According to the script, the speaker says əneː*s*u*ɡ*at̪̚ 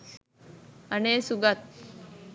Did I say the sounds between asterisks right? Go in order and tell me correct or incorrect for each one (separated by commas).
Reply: correct, correct